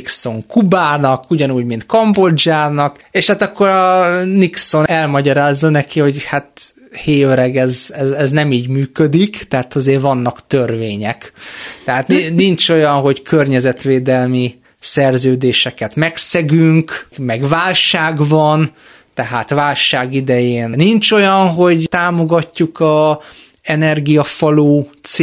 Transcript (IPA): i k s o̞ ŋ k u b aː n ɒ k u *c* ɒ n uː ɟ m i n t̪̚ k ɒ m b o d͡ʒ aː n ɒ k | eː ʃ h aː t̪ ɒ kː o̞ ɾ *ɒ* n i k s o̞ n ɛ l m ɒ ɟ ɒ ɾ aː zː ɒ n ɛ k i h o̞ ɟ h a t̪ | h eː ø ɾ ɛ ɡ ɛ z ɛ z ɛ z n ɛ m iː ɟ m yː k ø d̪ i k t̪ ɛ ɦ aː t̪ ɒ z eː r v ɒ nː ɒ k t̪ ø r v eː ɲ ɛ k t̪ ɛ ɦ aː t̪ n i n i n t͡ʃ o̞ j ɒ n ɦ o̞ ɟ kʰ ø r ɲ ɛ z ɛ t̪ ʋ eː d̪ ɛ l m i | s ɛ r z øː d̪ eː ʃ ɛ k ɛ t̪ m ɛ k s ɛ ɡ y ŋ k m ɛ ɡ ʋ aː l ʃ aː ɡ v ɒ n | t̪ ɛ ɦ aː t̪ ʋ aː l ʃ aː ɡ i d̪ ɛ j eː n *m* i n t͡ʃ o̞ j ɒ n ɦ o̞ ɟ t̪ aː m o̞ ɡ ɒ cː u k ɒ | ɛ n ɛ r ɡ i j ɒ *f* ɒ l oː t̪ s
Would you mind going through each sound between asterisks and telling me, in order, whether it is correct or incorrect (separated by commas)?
incorrect, correct, incorrect, correct